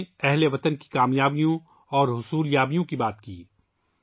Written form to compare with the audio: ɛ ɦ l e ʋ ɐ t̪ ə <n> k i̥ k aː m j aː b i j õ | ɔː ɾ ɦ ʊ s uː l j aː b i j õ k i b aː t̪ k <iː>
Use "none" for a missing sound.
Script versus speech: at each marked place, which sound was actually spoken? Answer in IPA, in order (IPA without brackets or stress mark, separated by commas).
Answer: n, iː